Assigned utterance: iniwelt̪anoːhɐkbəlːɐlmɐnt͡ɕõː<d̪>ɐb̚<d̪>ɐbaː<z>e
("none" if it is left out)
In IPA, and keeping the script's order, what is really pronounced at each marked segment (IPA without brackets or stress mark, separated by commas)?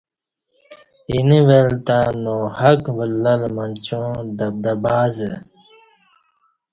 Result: d̪, d̪, z